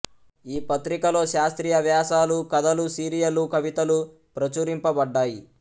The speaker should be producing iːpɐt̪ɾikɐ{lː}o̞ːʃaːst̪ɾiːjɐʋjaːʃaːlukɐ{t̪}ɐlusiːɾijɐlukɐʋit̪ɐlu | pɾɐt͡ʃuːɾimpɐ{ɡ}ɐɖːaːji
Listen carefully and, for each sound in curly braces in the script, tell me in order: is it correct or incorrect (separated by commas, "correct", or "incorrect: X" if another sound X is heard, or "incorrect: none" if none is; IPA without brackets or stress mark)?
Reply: incorrect: l, incorrect: d̪, incorrect: b